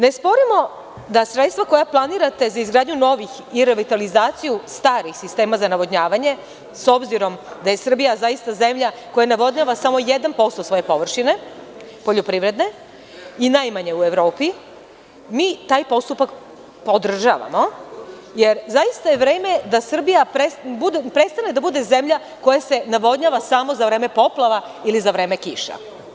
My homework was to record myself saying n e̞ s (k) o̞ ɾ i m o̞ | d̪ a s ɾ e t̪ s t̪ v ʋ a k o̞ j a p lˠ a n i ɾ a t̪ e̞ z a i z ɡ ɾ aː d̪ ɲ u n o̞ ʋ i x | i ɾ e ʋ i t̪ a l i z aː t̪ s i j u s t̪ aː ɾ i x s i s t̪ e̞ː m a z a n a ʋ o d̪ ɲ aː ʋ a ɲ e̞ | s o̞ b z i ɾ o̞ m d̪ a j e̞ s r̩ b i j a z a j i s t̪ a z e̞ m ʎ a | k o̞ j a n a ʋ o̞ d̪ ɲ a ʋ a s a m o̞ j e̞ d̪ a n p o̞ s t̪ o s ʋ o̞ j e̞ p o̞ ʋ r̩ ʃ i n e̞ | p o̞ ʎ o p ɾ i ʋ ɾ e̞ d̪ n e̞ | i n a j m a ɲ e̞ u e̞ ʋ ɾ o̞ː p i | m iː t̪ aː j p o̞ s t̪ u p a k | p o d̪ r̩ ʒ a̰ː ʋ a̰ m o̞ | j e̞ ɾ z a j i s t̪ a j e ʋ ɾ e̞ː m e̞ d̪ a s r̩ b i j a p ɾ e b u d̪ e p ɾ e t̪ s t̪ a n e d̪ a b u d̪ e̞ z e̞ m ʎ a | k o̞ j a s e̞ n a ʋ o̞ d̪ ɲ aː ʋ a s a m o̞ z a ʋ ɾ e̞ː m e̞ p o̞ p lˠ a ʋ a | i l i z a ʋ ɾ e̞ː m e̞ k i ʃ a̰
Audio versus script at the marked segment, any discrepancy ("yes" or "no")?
yes